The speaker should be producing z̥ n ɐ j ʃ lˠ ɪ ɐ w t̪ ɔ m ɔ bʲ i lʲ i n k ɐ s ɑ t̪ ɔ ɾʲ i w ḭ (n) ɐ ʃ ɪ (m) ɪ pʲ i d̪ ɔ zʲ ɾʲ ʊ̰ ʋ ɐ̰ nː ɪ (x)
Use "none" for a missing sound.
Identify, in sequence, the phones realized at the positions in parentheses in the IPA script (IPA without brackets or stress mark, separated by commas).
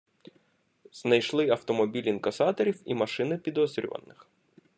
m, n, x